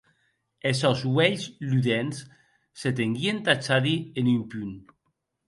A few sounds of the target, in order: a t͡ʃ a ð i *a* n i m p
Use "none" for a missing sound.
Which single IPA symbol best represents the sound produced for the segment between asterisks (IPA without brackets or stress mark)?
e